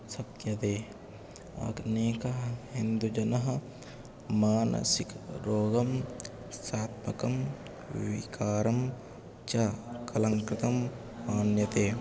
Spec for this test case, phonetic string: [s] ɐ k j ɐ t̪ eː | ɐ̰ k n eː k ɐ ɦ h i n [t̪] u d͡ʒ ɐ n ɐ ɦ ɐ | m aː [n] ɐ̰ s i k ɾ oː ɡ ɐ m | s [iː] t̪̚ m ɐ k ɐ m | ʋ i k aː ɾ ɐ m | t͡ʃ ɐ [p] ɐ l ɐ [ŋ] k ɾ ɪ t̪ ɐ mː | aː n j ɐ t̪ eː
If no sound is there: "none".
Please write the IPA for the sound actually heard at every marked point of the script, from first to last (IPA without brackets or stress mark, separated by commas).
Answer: s, d̪, n, aː, k, ŋ